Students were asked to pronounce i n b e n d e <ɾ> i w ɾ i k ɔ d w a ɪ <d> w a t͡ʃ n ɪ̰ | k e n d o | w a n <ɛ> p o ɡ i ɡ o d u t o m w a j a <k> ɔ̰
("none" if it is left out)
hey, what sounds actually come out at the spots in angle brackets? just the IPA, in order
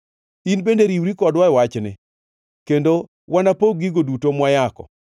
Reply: ɾ, none, a, k

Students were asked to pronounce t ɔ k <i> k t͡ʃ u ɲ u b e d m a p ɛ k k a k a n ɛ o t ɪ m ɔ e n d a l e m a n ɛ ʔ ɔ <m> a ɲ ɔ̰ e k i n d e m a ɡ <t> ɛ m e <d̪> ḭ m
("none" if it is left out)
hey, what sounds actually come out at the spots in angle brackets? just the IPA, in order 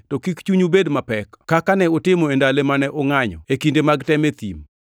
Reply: i, ŋ, t, t̪

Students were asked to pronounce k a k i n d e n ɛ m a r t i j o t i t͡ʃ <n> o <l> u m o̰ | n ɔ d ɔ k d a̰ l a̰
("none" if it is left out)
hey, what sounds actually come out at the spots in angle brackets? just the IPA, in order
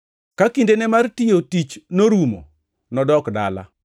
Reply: n, ɾ

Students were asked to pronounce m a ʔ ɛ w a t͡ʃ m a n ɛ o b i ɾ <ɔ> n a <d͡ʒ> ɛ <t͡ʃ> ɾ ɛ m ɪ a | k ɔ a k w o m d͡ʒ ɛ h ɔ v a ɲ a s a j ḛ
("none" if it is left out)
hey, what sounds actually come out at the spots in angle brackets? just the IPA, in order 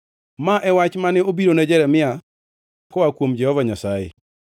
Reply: o, d͡ʒ, none

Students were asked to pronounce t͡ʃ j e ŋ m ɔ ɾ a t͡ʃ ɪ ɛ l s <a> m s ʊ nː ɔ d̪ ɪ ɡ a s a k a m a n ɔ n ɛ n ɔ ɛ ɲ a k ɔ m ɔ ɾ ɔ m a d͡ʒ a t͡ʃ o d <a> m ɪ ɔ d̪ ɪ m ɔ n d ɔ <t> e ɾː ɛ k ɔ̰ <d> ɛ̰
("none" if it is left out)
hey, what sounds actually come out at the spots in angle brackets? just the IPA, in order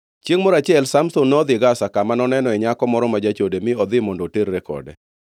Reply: a, e, t, d

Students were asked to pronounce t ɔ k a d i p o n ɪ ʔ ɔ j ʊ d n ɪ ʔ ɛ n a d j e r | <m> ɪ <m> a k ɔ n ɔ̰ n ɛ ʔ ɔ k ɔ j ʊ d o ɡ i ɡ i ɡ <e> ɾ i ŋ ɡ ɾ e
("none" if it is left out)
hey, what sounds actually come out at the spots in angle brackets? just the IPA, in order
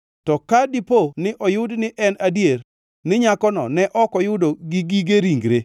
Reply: n, ɲ, e

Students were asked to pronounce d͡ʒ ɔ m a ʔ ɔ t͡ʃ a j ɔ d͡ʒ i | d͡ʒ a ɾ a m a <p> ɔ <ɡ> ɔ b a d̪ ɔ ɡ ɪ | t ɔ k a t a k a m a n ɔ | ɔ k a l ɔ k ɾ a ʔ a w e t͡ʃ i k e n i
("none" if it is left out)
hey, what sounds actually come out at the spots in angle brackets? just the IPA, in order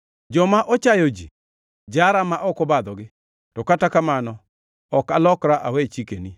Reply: ʔ, k

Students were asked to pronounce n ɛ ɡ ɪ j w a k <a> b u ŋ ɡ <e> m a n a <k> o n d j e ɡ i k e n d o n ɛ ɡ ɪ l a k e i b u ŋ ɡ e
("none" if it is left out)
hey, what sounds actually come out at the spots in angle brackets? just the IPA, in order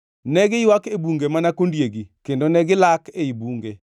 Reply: e, e, k

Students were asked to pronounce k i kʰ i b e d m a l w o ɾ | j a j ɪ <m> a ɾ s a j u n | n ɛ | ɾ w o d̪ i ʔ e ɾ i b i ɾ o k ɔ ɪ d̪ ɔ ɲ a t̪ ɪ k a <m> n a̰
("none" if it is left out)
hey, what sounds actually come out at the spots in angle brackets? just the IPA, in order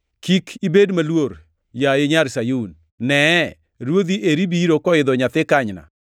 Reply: ɲ, ɲ

